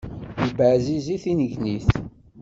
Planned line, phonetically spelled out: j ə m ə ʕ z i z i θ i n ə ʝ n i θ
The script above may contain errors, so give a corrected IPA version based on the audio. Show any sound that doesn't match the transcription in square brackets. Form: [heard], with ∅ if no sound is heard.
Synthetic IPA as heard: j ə [b] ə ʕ z i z i θ i n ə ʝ n i θ